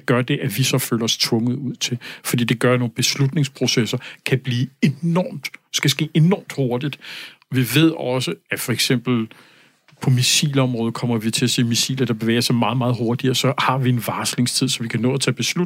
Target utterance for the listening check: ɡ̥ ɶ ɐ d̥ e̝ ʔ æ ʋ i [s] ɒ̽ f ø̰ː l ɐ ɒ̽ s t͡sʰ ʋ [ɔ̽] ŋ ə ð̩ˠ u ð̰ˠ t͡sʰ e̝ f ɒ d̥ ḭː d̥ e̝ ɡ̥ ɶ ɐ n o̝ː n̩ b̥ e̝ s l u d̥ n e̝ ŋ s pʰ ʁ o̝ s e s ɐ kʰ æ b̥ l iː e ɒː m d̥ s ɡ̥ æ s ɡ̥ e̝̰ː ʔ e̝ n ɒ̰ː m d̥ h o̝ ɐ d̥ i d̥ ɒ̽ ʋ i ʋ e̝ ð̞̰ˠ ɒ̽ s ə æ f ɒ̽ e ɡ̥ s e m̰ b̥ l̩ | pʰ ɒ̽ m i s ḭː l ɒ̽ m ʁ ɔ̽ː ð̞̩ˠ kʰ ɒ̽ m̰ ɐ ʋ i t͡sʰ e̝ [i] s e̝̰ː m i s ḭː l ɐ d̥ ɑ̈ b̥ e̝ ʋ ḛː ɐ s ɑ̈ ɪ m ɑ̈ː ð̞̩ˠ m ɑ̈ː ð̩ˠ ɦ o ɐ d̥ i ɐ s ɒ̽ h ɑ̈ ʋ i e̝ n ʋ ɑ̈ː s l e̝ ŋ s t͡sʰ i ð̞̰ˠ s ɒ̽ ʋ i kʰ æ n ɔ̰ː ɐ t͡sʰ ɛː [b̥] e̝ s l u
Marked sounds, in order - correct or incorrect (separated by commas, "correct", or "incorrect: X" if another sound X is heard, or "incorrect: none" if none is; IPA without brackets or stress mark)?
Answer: correct, correct, incorrect: æ, correct